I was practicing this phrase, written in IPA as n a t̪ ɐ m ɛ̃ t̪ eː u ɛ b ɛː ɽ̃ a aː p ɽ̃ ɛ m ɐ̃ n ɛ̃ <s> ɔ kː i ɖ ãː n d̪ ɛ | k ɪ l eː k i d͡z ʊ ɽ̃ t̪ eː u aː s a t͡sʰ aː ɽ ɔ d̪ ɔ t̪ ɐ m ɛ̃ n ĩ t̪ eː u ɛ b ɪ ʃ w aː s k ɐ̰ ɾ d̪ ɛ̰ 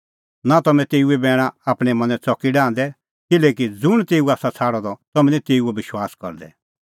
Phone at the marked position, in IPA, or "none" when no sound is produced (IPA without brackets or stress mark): t͡s